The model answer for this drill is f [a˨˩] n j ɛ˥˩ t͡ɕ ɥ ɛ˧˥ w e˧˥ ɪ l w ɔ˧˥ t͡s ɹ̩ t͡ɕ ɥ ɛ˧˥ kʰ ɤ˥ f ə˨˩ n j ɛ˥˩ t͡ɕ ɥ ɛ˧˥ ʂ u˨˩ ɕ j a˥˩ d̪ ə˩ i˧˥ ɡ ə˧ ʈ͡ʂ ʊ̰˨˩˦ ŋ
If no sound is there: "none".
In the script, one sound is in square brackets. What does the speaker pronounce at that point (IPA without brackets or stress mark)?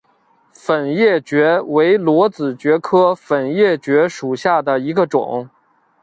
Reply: ə˨˩